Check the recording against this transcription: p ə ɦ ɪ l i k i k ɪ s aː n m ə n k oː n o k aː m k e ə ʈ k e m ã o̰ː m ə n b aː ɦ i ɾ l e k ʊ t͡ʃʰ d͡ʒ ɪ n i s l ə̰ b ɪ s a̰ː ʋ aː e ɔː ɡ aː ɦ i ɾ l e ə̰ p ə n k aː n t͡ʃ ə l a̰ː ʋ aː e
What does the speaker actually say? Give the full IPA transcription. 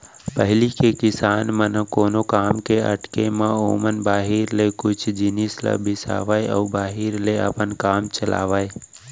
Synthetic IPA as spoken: p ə ɦ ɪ l i k e k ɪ s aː n m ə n k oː n o k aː m k e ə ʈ k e m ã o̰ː m ə n b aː ɦ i ɾ l e k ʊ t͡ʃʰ d͡ʒ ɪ n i s l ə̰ b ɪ s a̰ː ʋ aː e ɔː b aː ɦ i ɾ l e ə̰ p ə n k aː m t͡ʃ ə l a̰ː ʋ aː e